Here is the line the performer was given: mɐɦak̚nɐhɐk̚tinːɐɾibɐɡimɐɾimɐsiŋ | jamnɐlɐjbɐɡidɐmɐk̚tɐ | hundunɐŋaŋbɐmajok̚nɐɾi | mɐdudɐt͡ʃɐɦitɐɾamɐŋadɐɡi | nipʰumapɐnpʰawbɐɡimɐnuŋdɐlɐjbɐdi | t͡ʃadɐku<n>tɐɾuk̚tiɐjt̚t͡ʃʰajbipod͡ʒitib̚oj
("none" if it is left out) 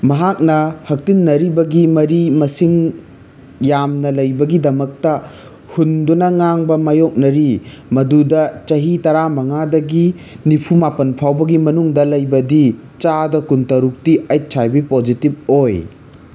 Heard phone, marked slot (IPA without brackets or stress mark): n